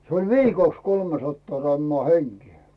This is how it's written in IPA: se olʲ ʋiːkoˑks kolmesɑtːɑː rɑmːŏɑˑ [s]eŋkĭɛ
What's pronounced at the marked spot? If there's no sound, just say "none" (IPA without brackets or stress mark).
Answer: h